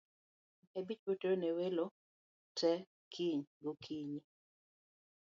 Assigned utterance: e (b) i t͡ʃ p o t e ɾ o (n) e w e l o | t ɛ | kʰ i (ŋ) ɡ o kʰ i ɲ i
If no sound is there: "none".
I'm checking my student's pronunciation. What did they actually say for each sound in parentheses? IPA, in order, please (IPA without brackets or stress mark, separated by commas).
b, n, ɲ